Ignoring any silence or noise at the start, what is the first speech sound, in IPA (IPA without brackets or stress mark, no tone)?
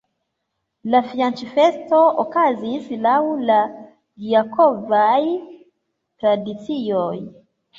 l